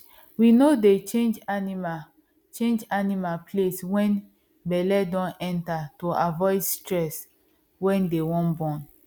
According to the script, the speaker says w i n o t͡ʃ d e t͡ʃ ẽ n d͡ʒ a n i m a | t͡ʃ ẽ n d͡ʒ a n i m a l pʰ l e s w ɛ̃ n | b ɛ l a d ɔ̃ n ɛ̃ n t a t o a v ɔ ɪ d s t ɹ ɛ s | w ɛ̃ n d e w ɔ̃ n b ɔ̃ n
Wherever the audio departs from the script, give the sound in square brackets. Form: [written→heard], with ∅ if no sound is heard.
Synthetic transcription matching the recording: w i n o [t͡ʃ→∅] d e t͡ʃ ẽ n d͡ʒ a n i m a | t͡ʃ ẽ n d͡ʒ a n i m a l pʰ l e s w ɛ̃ n | b ɛ l [a→ɛ] d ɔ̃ n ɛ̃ n t a t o a v ɔ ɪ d s t ɹ ɛ s | w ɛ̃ n d e w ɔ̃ n b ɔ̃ n